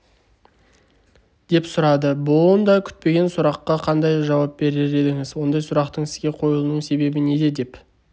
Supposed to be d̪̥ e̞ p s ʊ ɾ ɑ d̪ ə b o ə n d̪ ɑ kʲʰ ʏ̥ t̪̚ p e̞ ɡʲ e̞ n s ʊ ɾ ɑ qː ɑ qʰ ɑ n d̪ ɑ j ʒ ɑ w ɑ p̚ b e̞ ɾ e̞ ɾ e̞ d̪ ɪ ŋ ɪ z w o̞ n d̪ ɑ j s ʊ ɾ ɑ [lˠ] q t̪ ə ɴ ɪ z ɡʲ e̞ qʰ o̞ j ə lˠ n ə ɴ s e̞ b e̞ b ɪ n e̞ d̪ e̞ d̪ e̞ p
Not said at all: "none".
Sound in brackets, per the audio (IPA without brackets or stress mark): none